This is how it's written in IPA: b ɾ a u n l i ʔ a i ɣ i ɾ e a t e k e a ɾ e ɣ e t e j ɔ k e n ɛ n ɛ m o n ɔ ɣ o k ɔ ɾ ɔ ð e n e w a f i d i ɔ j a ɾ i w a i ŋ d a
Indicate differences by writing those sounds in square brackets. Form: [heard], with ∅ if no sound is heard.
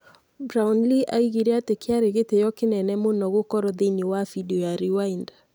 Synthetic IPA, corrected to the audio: b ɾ a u n l i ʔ a i ɣ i ɾ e a t e k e a ɾ e ɣ e t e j ɔ k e n ɛ n ɛ m o n ɔ ɣ o k ɔ ɾ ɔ ð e n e w a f i d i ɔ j a ɾ i w a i [n] d a